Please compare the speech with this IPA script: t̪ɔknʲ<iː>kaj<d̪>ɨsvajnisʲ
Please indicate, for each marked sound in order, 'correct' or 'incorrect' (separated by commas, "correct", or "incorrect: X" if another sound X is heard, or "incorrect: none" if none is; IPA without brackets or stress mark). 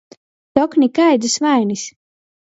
incorrect: i, correct